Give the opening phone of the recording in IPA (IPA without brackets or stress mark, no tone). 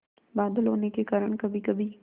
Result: b